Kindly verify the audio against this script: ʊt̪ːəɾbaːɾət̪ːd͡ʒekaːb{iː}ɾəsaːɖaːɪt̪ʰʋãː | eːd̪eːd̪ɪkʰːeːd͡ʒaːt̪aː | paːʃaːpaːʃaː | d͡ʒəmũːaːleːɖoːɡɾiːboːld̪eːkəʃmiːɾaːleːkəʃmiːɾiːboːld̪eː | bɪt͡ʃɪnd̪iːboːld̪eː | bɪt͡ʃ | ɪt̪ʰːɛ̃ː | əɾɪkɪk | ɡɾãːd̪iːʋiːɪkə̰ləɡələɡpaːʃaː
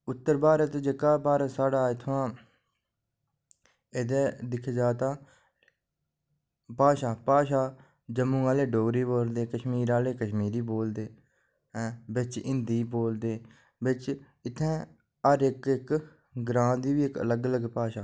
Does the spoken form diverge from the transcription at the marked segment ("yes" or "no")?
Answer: yes